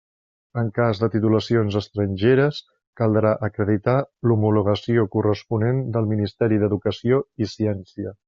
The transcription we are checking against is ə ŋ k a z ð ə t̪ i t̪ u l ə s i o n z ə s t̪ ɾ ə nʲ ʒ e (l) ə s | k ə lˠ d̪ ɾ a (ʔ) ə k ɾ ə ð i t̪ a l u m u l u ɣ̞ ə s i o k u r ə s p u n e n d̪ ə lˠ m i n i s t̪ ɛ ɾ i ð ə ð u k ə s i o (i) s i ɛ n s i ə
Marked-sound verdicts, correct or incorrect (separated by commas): incorrect, correct, correct